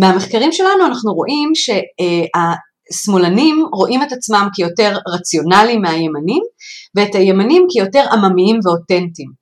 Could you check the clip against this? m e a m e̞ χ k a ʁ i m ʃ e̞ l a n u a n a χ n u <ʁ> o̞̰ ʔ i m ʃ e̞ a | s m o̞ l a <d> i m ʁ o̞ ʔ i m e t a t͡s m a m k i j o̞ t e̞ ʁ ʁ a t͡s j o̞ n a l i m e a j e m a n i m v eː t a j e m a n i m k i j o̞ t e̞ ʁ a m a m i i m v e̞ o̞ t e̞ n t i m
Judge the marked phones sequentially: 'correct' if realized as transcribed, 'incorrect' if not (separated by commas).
correct, incorrect